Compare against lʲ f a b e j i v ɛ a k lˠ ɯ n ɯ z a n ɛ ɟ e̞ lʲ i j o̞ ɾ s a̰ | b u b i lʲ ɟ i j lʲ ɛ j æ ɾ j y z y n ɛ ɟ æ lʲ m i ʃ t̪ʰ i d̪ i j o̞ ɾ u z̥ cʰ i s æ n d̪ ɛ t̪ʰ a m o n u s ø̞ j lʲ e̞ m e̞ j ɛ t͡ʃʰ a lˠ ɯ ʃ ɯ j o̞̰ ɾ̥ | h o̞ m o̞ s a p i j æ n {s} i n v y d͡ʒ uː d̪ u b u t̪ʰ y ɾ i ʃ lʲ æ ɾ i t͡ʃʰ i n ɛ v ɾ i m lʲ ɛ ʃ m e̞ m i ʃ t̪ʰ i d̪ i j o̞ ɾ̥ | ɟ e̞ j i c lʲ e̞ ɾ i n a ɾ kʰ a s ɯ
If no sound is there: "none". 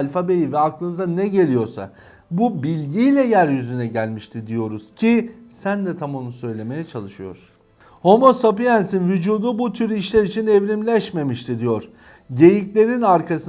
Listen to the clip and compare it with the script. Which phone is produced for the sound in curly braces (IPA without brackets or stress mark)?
s